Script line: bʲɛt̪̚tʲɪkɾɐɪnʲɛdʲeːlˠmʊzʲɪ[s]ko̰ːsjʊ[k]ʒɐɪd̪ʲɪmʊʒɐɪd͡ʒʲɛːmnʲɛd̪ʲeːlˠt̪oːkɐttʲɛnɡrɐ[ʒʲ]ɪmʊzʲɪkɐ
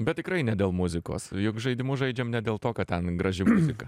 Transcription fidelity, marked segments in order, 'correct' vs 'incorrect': incorrect, correct, correct

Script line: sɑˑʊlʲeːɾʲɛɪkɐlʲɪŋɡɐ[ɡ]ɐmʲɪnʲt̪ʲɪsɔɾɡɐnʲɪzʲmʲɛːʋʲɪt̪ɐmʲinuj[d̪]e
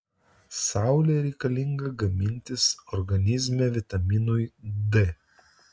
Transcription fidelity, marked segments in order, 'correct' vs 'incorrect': correct, correct

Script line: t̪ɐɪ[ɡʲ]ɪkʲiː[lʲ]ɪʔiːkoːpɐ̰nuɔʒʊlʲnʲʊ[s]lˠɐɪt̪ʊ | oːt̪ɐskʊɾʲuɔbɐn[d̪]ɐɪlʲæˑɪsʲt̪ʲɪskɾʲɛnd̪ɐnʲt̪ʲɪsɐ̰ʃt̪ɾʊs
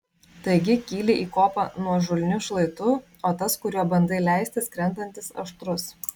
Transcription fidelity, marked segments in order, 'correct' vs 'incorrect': correct, correct, incorrect, correct

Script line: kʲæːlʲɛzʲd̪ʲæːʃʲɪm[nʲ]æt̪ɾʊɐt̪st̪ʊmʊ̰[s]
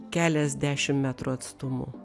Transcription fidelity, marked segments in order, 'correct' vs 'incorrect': incorrect, incorrect

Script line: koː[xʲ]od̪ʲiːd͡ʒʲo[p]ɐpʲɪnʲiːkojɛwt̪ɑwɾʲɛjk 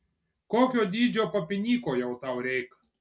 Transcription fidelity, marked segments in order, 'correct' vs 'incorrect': incorrect, correct

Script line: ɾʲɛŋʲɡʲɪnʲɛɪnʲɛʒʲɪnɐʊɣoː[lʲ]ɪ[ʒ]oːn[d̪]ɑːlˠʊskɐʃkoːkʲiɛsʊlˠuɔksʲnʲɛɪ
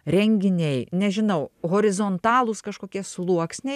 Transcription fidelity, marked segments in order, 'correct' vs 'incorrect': incorrect, incorrect, incorrect

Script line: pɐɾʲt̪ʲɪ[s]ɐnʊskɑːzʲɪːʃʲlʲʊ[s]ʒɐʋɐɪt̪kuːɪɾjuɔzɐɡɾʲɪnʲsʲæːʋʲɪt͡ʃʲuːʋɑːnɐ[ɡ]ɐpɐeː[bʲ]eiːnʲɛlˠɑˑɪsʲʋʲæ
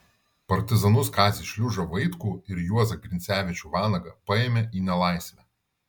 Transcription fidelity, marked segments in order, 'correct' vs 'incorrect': incorrect, incorrect, correct, incorrect

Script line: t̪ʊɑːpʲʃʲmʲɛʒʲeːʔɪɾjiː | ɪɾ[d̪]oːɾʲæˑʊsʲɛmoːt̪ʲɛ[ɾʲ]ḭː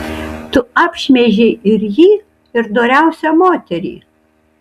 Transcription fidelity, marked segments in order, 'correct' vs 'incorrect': correct, correct

